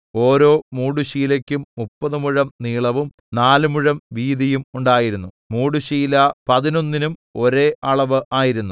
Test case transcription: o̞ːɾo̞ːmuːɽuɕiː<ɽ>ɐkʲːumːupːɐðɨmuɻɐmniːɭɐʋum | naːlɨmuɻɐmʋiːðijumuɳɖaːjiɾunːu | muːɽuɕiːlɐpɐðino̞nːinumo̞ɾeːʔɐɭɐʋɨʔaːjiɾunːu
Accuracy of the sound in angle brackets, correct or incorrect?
incorrect